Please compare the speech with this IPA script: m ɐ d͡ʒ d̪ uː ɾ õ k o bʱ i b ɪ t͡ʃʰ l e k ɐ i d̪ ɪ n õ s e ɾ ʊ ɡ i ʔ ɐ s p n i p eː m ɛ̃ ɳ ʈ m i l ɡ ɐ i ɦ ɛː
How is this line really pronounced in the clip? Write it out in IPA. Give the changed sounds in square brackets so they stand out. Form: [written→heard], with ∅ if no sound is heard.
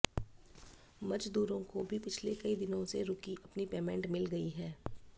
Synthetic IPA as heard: m ɐ d͡ʒ d̪ uː ɾ õ k o bʱ i [b→p] ɪ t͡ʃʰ l e k ɐ i d̪ ɪ n õ s e ɾ ʊ [ɡ→k] i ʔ ɐ [s→∅] p n i p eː m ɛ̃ ɳ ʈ m [i→ɪ] l ɡ ɐ i ɦ ɛː